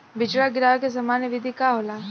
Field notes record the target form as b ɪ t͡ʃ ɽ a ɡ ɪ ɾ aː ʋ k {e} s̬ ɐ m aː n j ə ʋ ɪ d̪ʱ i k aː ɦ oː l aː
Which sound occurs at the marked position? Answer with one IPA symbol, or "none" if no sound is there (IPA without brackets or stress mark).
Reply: e